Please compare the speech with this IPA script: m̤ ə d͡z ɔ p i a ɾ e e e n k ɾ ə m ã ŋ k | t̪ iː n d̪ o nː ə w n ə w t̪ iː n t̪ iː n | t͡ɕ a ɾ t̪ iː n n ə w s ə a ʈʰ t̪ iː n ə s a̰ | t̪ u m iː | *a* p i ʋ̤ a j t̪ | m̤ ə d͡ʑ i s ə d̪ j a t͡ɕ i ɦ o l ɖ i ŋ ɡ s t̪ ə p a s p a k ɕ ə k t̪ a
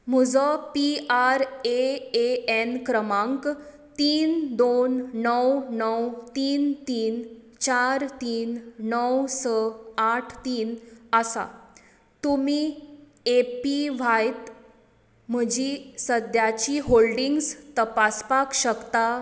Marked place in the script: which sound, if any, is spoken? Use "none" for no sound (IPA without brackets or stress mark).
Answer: e